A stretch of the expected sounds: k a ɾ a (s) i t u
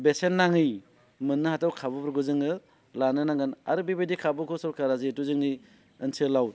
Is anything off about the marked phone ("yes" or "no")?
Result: yes